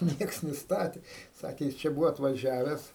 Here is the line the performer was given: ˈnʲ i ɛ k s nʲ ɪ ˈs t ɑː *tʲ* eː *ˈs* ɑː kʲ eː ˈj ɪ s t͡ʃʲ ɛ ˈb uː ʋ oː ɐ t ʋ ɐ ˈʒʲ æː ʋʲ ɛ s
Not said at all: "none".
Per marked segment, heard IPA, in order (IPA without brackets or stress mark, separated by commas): tʲ, s